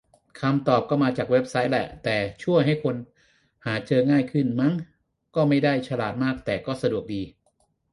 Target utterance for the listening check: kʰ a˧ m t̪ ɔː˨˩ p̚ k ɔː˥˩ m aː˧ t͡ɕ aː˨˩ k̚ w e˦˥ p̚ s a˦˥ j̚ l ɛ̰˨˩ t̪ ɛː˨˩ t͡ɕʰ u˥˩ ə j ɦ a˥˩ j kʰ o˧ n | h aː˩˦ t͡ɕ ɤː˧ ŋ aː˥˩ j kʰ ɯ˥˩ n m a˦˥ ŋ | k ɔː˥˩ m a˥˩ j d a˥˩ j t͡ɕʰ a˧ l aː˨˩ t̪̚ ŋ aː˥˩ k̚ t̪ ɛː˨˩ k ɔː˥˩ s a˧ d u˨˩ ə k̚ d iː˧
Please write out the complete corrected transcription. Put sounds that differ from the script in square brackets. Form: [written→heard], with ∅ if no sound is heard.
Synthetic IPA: kʰ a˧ m t̪ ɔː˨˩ p̚ k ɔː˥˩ m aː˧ t͡ɕ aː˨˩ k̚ w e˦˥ p̚ s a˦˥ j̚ l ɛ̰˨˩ t̪ ɛː˨˩ t͡ɕʰ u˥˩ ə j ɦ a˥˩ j kʰ o˧ n | h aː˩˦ t͡ɕ ɤː˧ ŋ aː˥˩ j kʰ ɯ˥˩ n m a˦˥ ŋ | k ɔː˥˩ m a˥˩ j d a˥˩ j t͡ɕʰ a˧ l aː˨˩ t̪̚ [ŋ→m] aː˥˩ k̚ t̪ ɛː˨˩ k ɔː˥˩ s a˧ d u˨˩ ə k̚ d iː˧